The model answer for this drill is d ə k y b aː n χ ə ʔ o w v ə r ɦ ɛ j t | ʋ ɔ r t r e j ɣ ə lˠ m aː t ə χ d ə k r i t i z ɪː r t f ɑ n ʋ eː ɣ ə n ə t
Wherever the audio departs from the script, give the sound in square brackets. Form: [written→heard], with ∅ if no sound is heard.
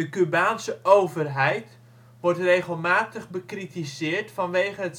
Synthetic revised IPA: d ə k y b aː n [χ→s] ə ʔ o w v ə r ɦ ɛ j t | ʋ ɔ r t r e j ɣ ə lˠ m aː t ə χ [d→b] ə k r i t i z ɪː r t f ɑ n ʋ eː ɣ ə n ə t